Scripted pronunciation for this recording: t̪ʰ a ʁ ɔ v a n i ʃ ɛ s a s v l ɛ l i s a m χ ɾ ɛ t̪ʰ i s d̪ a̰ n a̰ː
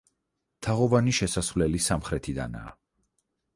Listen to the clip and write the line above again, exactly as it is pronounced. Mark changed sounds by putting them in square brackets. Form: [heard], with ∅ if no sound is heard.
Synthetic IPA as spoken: t̪ʰ a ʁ ɔ v a n i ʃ ɛ s a s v l ɛ l i s a m χ ɾ ɛ t̪ʰ i [∅] d̪ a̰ n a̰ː